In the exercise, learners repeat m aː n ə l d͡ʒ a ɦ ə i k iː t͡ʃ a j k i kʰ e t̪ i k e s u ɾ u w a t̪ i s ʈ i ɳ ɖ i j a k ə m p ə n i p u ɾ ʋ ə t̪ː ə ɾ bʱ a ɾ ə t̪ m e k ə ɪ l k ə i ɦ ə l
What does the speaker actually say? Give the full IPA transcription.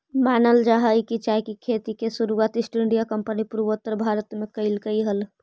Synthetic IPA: m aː n ə l d͡ʒ a ɦ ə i k i t͡ʃ a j k i kʰ e t̪ i k e s u ɾ u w a t̪ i s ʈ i ɳ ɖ i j a k ə m p ə n i p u ɾ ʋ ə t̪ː ə ɾ bʱ a ɾ ə t̪ m e k ə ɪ l k ə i ɦ ə l